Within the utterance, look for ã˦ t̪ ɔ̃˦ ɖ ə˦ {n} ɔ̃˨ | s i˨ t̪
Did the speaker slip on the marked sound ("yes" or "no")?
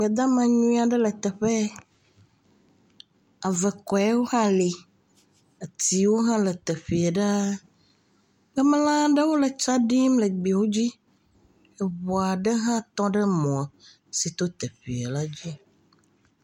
yes